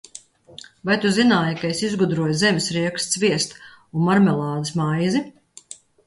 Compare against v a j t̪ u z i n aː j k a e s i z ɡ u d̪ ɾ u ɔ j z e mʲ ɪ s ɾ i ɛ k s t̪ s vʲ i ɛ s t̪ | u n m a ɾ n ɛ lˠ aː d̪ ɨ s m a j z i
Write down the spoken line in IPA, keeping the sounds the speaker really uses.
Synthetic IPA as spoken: v a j t̪ u z i n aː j k a e s i z ɡ u d̪ ɾ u ɔ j z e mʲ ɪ s ɾ i ɛ k s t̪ s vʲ i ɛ s t̪ | u n m a ɾ m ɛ lˠ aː d̪ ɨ s m a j z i